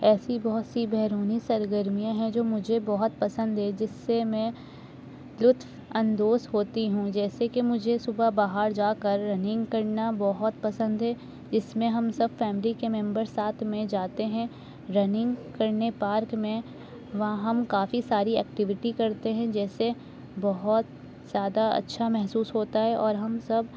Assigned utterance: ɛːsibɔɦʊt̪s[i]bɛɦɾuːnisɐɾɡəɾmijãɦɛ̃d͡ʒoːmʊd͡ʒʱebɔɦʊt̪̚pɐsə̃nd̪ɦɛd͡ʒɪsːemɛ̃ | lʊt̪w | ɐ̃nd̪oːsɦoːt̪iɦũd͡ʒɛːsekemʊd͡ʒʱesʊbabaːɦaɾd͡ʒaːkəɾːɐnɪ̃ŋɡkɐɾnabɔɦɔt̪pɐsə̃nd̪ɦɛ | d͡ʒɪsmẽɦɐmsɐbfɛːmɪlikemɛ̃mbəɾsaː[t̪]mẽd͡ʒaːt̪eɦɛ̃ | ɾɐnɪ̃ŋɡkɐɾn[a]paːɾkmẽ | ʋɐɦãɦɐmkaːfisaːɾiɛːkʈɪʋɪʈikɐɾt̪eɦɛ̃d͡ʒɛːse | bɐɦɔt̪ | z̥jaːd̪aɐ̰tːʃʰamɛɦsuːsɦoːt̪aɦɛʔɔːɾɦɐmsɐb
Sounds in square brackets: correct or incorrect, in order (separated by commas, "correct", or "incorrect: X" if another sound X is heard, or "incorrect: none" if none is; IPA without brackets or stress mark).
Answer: correct, incorrect: t̪ʰ, incorrect: e